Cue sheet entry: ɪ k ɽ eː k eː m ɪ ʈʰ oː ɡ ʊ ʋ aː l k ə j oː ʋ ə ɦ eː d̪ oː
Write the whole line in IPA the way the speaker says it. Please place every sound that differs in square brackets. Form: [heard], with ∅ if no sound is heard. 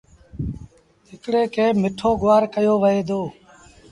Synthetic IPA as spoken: ɪ k ɽ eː k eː m ɪ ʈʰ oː ɡ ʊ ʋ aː [ɾ] k ə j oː ʋ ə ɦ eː d̪ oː